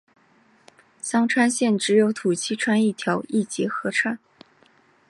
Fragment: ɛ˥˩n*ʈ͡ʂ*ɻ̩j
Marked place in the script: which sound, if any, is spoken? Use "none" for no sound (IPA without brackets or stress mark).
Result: ʈ͡ʂ